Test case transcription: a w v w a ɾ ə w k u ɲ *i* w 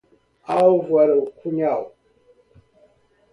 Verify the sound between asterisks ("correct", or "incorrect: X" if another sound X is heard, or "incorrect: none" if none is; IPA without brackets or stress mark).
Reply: incorrect: a